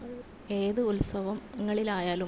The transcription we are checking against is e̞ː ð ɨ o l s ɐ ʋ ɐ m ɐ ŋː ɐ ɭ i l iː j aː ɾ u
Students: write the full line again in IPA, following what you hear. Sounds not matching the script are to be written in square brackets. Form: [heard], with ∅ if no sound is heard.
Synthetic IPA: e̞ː ð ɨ [u] l s ɐ ʋ ɐ m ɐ ŋː ɐ ɭ i l [aː] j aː [l] u